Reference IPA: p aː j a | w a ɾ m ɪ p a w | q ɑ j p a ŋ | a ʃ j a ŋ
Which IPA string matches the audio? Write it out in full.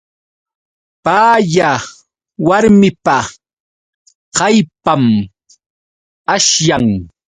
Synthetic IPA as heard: p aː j a | w a ɾ m ɪ p a | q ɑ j p a m | a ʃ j a ŋ